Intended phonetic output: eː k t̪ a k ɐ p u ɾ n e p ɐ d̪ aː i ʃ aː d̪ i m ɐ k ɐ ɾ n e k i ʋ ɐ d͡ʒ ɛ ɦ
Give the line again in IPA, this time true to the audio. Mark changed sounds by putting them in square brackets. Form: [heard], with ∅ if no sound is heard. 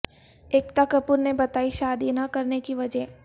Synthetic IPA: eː k t̪ a k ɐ p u ɾ n e [b] ɐ [t̪] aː i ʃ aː d̪ i [n] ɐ k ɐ ɾ n e k i ʋ ɐ d͡ʒ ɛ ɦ